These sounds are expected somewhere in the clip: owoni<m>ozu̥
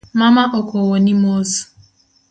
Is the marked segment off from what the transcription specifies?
no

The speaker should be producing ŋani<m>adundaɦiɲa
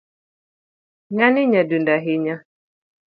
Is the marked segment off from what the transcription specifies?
yes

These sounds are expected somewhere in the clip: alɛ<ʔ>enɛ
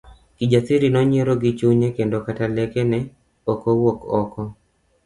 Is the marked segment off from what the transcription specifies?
yes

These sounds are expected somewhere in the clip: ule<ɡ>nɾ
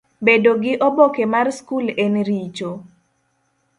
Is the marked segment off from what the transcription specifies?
yes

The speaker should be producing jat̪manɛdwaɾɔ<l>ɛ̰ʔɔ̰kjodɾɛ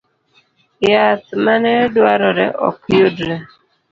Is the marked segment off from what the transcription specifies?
yes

